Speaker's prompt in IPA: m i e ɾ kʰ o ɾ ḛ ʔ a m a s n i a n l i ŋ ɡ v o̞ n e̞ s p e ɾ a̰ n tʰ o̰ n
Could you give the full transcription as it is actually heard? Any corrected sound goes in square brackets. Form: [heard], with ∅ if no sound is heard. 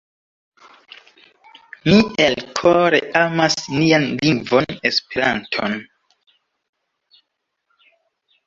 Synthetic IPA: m i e [l] kʰ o ɾ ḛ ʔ a m a s n i a n l i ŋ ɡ v o̞ n e̞ s p e ɾ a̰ n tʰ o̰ n